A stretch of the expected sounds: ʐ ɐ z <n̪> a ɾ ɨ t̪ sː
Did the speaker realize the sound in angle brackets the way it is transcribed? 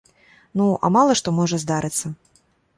no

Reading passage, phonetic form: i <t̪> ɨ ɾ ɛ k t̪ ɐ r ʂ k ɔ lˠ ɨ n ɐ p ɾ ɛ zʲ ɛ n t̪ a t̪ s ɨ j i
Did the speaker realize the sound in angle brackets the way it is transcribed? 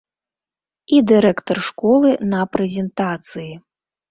no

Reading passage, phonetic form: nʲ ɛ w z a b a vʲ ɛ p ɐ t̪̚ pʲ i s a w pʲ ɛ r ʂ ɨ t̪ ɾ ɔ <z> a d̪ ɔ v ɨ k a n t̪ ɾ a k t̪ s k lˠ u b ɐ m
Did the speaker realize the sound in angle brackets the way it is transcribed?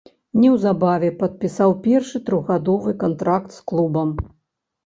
no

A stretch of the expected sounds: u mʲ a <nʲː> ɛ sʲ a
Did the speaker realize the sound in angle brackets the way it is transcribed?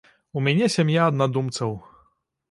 no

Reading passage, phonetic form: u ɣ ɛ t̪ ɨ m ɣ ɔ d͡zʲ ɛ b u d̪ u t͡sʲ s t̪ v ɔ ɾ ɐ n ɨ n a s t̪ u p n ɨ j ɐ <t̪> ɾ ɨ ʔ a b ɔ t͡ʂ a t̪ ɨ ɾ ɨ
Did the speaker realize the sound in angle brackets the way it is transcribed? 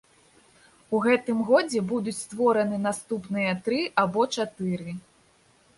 yes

